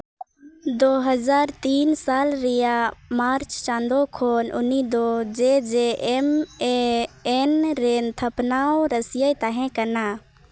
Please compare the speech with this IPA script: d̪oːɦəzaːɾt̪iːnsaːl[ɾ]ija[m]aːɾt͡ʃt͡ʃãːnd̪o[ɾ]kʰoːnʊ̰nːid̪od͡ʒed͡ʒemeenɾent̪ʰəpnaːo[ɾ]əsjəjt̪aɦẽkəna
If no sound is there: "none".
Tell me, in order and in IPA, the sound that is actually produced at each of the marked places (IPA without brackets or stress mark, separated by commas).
ɾ, m, none, ɾ